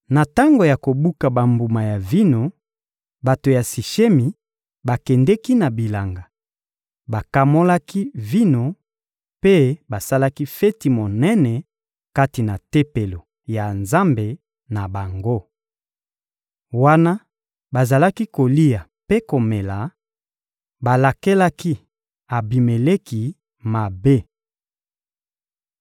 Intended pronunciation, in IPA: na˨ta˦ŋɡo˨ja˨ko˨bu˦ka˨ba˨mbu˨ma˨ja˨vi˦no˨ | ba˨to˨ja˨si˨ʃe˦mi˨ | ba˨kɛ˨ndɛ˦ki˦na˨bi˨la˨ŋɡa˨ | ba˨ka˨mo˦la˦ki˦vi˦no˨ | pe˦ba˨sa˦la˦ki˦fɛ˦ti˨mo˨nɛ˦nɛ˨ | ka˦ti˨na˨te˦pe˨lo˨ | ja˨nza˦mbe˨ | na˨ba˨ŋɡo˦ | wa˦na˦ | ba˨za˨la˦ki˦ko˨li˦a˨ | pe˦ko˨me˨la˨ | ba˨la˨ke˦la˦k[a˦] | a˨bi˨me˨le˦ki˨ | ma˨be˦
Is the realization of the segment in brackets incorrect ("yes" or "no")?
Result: yes